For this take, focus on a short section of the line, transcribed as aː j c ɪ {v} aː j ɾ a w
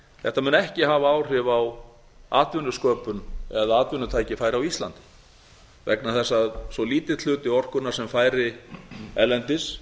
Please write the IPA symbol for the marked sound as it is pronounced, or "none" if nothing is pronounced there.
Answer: f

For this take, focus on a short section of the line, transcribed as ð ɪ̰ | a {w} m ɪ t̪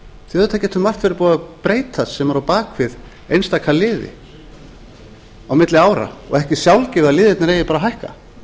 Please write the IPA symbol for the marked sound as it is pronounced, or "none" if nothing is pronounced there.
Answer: w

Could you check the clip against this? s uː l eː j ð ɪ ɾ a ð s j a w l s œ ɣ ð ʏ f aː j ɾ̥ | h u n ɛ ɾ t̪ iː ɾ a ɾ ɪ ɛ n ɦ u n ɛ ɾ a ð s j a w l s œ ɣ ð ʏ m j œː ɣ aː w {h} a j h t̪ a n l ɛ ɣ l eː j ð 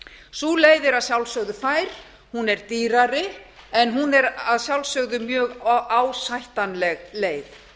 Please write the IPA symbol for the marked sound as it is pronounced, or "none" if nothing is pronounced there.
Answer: s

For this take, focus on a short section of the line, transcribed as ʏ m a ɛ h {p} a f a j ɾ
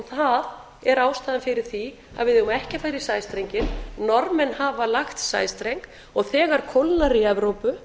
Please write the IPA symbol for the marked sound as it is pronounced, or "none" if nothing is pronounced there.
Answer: c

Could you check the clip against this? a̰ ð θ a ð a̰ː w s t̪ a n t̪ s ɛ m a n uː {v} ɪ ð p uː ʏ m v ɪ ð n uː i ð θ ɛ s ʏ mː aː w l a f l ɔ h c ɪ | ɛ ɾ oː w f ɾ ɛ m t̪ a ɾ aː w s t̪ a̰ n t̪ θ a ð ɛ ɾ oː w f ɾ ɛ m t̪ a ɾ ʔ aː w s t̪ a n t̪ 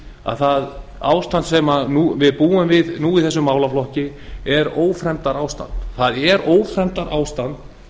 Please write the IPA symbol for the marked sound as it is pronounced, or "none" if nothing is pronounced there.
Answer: v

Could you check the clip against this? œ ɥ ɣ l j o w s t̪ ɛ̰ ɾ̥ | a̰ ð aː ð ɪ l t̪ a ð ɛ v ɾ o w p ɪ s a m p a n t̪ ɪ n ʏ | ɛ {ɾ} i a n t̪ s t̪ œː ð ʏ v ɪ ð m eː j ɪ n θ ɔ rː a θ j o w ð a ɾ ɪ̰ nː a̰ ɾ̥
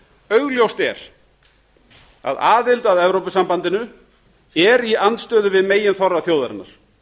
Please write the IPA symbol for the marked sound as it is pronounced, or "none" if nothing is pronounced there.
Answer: ɾ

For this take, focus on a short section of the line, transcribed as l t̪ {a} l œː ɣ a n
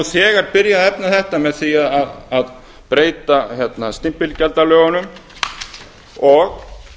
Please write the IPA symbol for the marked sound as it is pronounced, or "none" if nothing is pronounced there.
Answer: a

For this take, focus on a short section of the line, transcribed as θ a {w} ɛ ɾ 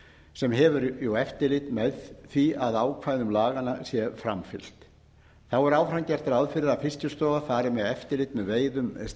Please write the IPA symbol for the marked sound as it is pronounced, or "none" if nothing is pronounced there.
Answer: w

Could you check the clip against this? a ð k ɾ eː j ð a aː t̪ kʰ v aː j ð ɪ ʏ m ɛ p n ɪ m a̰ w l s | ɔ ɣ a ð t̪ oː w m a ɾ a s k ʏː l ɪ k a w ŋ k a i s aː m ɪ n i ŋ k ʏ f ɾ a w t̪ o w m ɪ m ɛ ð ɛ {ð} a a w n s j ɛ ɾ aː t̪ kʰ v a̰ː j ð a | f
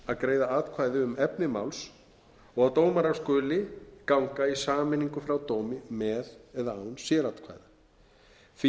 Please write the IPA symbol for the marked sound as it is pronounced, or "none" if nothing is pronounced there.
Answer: ð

